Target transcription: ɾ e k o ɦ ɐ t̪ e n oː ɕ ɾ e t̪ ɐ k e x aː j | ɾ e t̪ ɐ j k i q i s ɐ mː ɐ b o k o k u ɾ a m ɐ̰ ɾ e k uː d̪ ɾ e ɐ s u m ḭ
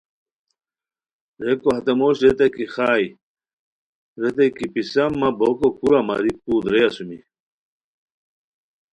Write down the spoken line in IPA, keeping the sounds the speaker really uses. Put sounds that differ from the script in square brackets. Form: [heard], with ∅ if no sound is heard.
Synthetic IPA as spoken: ɾ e k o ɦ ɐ t̪ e [m] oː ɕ ɾ e t̪ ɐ k [i] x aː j | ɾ e t̪ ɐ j k i [p] i s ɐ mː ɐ b o k o k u ɾ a m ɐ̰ ɾ [i] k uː d̪ ɾ e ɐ s u m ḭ